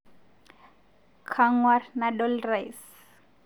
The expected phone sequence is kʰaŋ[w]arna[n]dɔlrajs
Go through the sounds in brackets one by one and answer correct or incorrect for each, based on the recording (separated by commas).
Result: correct, incorrect